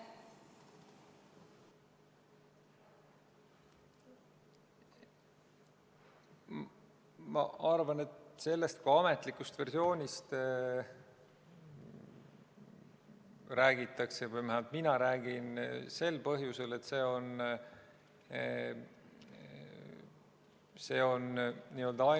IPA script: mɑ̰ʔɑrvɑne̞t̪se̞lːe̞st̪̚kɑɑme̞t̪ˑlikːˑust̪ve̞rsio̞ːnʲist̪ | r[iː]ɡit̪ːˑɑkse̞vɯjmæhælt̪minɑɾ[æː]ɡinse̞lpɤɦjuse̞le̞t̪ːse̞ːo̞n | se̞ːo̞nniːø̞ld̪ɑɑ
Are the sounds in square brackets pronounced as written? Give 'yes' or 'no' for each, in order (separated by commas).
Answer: no, yes